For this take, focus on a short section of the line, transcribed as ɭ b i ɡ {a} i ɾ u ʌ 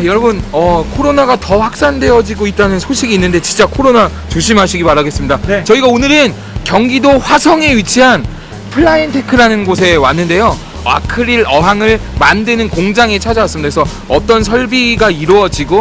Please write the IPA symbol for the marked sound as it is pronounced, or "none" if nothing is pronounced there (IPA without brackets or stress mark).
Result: a